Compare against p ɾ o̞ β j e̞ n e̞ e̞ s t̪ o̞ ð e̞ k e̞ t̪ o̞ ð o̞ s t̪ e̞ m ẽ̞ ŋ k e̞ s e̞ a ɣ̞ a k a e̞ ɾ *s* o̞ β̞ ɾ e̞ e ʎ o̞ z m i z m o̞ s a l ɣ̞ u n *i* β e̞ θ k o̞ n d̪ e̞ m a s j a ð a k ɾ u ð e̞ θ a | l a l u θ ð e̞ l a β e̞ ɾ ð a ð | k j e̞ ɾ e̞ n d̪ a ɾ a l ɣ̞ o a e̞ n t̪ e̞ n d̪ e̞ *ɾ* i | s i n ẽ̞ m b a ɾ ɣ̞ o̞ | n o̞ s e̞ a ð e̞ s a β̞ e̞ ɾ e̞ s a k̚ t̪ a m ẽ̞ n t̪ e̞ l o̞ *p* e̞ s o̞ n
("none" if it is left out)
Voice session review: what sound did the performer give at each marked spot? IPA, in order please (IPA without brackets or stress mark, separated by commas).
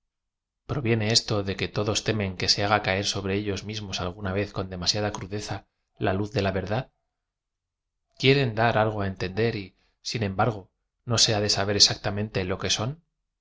s, a, ɾ, k